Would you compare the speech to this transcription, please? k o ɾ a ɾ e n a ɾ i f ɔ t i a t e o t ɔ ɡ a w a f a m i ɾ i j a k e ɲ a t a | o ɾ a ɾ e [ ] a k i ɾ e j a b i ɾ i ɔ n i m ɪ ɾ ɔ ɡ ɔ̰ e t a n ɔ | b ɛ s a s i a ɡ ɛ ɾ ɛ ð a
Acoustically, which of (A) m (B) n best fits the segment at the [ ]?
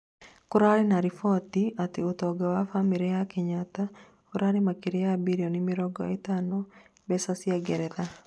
A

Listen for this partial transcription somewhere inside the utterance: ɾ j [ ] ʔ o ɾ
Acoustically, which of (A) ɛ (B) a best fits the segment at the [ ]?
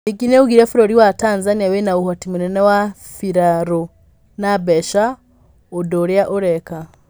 B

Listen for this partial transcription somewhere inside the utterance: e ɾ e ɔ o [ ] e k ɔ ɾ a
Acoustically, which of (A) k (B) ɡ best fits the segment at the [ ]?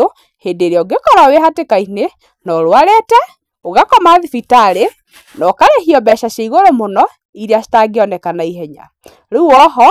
B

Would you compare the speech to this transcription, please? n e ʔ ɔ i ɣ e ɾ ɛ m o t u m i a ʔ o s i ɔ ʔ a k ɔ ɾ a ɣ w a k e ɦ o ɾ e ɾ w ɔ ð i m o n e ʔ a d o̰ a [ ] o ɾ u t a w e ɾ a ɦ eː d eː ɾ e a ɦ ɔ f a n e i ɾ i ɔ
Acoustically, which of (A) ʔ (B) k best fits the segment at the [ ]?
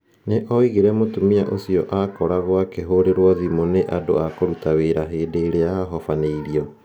B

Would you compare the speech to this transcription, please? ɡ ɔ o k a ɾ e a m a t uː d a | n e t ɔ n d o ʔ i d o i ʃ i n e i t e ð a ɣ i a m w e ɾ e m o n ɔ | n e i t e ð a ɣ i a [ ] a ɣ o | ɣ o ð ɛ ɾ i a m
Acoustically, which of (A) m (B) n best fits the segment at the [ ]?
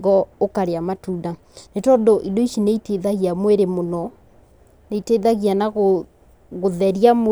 B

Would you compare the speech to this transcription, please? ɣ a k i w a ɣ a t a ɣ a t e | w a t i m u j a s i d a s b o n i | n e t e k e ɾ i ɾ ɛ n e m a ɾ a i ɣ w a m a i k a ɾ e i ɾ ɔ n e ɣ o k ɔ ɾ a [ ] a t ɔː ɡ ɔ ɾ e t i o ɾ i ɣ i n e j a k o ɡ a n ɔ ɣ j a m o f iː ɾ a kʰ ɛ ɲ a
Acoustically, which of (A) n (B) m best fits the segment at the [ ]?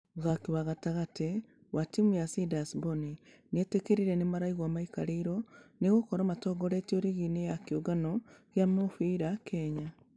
B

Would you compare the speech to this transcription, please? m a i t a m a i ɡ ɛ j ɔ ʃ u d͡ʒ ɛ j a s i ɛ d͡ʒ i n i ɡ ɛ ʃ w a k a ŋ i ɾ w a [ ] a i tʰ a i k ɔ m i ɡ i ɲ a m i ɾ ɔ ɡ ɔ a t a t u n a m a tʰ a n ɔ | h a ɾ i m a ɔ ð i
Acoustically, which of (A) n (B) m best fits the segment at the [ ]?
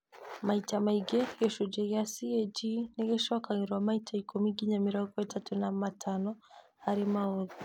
B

